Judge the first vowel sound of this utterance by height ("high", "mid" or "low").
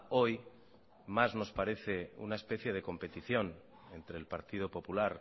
mid